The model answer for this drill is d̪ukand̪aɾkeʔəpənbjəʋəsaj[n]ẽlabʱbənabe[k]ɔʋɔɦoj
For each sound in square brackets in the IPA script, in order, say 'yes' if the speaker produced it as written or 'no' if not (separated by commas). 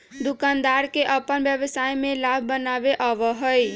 no, no